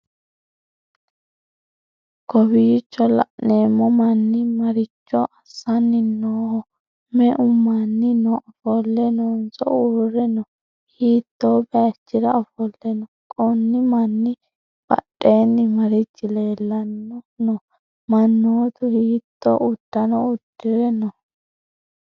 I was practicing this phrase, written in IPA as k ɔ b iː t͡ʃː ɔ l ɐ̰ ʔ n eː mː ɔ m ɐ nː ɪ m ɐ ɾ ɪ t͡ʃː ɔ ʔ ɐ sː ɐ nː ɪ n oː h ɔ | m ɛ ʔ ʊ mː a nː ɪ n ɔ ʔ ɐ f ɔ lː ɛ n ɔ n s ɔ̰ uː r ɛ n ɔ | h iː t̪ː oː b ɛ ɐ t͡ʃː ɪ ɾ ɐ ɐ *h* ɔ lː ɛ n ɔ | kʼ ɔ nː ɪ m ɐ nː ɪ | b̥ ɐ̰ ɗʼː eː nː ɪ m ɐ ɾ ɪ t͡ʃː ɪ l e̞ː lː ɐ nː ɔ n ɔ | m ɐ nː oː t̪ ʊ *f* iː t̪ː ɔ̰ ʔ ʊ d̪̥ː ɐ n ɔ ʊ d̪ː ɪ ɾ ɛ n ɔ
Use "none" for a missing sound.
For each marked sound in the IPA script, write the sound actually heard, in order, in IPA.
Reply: f, h

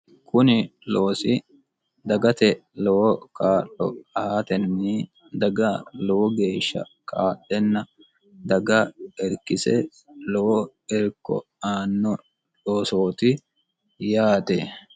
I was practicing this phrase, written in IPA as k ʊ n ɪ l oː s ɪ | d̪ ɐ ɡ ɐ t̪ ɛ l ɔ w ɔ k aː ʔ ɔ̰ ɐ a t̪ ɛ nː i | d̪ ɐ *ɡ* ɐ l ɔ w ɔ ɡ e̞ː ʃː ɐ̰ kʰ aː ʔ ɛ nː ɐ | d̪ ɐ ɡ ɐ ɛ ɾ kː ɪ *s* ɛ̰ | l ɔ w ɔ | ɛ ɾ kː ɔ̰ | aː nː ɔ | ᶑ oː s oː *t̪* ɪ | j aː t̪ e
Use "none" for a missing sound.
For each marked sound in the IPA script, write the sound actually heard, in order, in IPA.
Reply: ɡ, s, t̪

